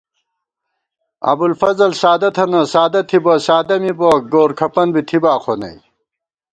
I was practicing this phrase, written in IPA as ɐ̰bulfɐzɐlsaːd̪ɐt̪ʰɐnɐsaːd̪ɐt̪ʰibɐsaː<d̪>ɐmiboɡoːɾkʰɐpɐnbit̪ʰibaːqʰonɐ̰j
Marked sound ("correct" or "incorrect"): correct